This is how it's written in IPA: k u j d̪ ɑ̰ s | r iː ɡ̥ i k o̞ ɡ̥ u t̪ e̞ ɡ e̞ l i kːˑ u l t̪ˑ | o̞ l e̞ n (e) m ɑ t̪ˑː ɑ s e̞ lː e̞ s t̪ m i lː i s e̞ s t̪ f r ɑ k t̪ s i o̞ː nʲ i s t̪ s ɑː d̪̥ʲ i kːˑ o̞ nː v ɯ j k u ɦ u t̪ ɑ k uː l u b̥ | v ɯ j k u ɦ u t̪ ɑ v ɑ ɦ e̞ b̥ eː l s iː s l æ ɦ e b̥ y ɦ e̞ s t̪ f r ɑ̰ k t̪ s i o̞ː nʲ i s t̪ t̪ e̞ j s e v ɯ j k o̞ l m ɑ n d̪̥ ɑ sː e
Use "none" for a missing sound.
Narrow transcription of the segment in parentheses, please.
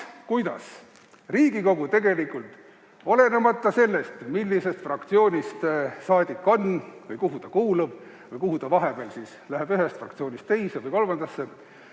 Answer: e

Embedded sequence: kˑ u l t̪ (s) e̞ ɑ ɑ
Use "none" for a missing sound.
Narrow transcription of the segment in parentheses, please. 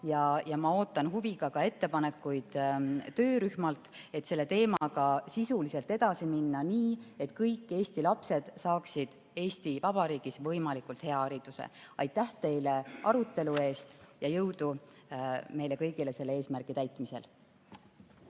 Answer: h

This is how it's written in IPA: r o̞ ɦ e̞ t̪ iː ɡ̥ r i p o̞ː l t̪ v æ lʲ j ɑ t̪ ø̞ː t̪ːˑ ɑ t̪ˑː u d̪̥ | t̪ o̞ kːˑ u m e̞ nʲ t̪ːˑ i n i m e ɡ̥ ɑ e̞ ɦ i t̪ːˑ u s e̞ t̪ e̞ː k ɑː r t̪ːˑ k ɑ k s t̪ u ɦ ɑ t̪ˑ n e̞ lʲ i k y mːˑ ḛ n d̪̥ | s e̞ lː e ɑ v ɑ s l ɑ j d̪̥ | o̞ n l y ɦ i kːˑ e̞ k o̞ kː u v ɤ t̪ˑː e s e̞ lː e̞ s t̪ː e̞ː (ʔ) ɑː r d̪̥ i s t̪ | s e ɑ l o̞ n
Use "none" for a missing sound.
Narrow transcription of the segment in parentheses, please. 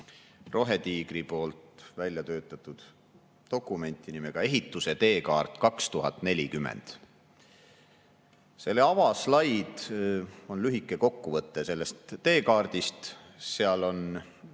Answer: k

